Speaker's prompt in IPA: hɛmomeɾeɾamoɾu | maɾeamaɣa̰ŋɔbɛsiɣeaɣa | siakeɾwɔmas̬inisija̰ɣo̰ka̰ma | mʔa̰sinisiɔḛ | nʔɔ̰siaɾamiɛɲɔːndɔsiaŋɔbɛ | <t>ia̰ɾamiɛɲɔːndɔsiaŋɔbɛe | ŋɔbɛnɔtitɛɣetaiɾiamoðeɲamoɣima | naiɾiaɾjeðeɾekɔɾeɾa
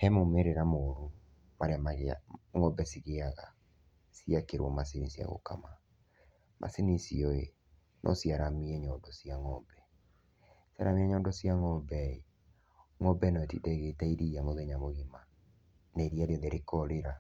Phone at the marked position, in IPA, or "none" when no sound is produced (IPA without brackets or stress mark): s